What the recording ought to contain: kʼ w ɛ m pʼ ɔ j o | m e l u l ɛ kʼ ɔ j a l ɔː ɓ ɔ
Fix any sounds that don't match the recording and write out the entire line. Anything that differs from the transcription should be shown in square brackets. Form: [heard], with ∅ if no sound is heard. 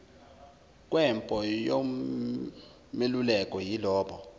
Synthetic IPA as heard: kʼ w ɛ m pʼ ɔ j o | m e l u l ɛ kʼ ɔ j [i] l ɔː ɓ ɔ